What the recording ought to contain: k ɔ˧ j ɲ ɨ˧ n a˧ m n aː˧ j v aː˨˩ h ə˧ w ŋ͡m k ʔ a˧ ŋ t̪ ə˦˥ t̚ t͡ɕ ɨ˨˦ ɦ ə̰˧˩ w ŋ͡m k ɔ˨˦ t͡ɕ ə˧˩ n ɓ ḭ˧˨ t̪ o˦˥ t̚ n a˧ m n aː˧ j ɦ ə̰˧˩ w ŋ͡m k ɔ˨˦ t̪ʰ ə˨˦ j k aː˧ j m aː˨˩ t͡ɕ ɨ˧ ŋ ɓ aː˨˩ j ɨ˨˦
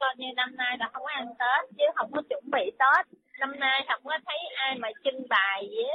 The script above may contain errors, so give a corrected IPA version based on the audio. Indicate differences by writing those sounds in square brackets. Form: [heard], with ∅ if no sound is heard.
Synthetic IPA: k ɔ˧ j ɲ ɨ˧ n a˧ m n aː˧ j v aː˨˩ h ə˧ w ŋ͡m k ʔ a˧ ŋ t̪ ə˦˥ t̚ t͡ɕ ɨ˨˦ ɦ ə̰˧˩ w ŋ͡m k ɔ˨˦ t͡ɕ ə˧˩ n ɓ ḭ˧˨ t̪ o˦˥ t̚ n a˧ m n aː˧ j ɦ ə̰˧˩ w ŋ͡m k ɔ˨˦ t̪ʰ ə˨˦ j [ʔ] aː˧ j m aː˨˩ t͡ɕ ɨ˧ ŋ ɓ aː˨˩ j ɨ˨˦